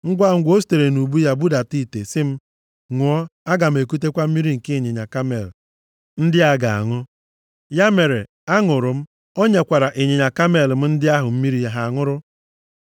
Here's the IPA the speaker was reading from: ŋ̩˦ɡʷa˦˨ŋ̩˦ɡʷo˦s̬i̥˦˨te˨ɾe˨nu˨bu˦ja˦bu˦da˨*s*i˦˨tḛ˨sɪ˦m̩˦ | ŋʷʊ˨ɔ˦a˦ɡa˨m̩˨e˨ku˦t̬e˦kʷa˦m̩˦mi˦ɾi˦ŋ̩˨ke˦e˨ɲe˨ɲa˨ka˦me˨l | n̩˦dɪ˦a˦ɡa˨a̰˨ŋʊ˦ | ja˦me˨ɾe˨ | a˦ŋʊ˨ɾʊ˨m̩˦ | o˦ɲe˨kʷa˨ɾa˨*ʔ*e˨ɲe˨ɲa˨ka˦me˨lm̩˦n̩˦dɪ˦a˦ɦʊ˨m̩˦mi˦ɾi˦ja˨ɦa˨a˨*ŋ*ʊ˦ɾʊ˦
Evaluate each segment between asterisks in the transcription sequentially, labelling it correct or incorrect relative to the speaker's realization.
incorrect: t, correct, correct

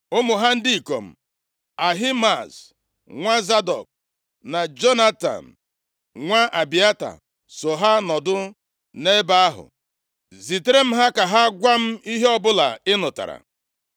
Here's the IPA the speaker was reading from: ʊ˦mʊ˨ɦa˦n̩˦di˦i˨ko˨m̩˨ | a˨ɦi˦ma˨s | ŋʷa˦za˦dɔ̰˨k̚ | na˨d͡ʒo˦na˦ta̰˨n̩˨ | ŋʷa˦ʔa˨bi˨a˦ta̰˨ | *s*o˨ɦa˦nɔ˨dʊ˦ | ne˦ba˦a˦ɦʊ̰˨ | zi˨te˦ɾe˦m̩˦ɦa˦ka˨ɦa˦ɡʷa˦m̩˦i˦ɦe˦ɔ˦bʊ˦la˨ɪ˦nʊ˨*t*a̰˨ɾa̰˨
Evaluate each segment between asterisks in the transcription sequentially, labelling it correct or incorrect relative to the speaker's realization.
correct, correct

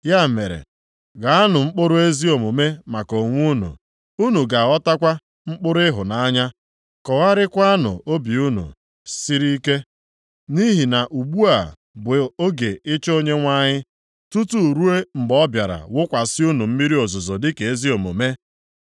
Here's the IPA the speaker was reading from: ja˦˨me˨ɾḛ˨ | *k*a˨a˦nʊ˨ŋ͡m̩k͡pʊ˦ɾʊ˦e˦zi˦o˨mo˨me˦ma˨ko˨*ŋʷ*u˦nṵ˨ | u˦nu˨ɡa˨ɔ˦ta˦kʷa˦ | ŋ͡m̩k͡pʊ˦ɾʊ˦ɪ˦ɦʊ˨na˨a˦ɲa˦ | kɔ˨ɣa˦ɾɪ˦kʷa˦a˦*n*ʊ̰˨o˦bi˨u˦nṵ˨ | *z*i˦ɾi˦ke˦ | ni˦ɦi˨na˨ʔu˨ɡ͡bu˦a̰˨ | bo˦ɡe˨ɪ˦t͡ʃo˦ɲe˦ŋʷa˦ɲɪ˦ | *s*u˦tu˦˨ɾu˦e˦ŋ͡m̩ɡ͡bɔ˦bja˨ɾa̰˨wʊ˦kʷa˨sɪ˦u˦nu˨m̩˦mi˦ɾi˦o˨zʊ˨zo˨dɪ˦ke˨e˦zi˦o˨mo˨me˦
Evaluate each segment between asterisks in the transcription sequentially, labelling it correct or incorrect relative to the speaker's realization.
incorrect: ɡ, correct, correct, incorrect: s, incorrect: t

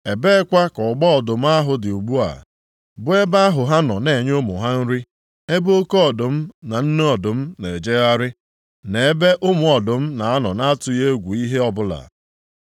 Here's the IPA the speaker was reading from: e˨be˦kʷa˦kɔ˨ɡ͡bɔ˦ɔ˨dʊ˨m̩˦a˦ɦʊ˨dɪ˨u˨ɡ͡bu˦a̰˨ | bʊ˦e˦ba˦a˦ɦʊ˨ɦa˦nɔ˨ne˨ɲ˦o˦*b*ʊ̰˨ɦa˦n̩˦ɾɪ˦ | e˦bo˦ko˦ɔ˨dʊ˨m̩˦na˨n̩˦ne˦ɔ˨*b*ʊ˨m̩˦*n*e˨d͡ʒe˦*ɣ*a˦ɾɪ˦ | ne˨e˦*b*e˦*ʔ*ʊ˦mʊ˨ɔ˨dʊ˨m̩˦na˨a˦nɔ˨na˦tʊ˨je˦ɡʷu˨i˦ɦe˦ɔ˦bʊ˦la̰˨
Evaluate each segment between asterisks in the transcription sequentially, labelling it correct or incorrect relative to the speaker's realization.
incorrect: m, incorrect: d, correct, correct, correct, correct

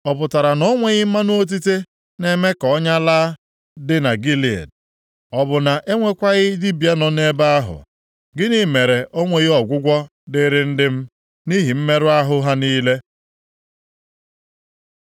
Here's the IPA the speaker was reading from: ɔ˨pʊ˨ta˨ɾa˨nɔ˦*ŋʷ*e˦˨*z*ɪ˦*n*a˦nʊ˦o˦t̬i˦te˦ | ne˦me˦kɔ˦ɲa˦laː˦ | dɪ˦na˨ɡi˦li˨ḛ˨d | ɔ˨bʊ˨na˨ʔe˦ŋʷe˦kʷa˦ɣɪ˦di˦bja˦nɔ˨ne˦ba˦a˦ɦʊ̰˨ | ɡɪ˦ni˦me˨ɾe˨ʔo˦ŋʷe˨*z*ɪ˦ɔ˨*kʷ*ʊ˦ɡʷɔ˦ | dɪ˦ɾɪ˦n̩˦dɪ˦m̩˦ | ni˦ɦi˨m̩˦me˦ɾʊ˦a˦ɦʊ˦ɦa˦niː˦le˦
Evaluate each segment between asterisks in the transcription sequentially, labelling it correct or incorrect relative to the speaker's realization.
correct, incorrect: ɣ, incorrect: m, incorrect: ɣ, incorrect: ɡʷ

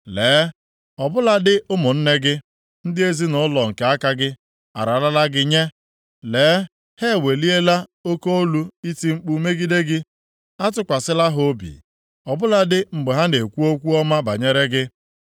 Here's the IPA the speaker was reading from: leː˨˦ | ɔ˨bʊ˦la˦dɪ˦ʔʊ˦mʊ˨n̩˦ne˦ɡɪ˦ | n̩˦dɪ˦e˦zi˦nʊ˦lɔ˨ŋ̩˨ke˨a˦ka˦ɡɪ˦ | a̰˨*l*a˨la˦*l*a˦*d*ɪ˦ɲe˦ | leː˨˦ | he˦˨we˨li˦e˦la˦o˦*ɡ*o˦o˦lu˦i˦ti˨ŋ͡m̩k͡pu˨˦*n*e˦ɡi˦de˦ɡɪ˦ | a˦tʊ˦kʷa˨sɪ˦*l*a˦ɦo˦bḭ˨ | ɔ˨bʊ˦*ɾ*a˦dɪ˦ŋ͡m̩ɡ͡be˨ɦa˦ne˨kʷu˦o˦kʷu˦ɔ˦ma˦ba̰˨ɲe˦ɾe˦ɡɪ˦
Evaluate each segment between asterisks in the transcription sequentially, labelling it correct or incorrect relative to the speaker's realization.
incorrect: ɾ, correct, incorrect: ɡ, incorrect: k, incorrect: m, correct, incorrect: l

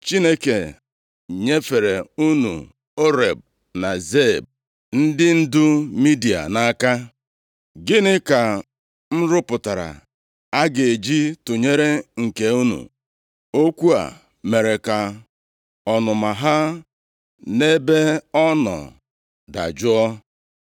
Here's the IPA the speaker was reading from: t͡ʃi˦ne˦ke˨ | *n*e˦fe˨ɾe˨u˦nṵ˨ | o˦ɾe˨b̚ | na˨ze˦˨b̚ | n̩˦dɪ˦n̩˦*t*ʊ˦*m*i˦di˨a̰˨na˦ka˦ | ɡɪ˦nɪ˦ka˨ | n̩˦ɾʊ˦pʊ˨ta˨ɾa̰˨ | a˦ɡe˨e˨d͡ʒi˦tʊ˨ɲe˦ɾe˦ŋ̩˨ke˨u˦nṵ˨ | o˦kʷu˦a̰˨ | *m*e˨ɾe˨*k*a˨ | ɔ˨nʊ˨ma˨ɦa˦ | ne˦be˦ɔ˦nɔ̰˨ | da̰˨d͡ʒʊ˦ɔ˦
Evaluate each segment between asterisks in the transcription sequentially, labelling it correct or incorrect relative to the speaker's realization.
incorrect: ɲ, incorrect: d, correct, correct, correct

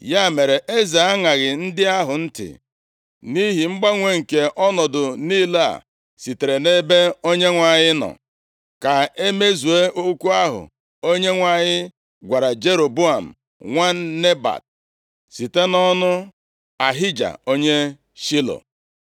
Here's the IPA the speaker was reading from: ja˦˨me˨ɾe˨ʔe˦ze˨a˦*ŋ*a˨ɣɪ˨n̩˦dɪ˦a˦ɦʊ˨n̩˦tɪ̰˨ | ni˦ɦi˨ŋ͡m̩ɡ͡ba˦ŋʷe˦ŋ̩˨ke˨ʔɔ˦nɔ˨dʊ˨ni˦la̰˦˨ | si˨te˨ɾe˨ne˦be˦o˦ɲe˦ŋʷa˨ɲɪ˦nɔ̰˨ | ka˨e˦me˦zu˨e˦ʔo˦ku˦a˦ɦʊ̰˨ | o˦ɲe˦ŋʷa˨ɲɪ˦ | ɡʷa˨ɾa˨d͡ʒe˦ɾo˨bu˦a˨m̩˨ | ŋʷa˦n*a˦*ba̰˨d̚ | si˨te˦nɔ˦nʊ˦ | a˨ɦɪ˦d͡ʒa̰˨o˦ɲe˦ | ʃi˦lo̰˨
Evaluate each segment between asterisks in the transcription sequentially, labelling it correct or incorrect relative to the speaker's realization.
correct, incorrect: e˦

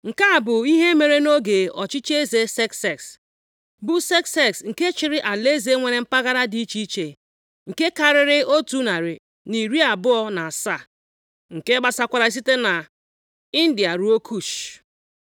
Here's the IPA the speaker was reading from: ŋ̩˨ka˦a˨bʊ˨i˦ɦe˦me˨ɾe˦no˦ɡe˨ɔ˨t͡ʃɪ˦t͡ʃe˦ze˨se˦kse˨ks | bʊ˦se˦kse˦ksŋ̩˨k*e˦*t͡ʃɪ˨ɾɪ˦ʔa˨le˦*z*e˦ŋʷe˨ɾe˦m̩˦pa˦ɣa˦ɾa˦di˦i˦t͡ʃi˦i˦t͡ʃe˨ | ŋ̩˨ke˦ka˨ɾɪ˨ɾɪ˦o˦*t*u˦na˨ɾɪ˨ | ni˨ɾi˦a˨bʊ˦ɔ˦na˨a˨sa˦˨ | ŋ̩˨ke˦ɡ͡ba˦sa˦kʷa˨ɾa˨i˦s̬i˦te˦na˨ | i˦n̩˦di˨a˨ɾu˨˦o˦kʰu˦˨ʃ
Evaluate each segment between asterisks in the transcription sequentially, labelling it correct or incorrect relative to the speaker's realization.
correct, correct, correct

